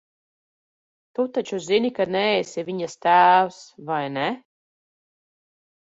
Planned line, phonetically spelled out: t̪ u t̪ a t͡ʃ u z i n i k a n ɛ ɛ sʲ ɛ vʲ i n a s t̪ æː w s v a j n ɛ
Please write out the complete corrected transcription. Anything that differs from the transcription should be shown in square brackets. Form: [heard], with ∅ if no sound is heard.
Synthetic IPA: t̪ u t̪ a t͡ʃ u z i n i k a n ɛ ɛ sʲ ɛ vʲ i [ɲ] a s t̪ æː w s v a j n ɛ